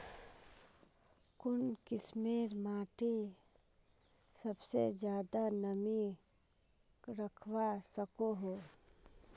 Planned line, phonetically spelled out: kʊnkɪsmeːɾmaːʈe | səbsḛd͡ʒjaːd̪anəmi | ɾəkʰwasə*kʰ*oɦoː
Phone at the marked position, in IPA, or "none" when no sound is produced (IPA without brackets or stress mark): k